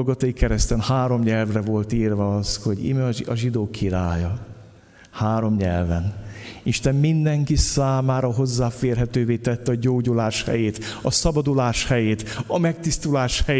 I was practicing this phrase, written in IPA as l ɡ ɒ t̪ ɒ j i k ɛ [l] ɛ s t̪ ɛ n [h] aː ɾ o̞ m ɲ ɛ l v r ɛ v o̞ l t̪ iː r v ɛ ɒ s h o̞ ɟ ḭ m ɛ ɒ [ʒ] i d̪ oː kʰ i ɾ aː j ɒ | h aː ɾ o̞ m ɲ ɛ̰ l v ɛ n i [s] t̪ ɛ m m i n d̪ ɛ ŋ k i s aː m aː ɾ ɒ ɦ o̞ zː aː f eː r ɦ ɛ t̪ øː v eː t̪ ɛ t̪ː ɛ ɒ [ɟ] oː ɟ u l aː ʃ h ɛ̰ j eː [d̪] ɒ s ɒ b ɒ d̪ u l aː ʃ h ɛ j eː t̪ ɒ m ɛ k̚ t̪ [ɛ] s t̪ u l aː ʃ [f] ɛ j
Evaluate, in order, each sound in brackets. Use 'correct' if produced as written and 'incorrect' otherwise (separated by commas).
incorrect, correct, correct, incorrect, correct, incorrect, incorrect, incorrect